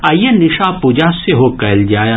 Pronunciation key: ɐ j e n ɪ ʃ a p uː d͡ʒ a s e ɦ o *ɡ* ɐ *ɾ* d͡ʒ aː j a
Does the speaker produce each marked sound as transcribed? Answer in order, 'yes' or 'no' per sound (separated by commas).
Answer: no, no